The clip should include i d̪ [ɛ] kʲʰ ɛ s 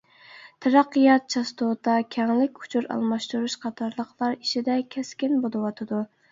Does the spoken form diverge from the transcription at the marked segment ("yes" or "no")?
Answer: no